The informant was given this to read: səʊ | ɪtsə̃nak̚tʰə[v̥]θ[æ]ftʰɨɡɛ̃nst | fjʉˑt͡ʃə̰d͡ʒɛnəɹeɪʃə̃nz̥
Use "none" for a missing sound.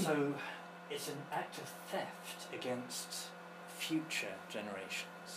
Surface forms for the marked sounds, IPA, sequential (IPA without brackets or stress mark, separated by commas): v̥, ɛ